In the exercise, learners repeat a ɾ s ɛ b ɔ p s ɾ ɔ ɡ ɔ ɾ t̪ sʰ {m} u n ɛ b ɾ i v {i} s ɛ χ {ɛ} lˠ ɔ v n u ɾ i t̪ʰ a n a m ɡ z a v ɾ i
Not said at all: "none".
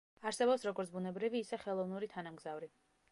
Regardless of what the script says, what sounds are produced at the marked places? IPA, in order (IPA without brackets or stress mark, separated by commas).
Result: b, iː, ɛ